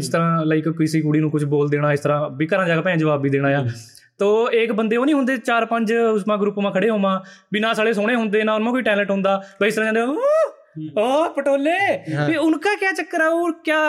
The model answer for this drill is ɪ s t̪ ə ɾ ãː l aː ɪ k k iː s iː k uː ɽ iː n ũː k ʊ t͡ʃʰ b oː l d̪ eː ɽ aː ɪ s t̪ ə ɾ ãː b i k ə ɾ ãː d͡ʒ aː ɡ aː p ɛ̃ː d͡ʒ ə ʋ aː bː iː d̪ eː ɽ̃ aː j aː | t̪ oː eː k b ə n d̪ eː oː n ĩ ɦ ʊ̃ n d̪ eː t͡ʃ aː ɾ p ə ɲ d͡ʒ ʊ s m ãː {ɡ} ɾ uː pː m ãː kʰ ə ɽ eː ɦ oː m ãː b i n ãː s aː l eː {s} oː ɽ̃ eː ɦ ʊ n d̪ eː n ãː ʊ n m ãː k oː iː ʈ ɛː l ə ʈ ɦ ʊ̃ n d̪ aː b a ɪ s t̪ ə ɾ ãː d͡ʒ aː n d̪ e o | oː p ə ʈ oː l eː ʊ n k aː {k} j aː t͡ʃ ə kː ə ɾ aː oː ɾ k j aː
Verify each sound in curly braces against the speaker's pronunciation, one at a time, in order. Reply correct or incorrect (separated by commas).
correct, correct, correct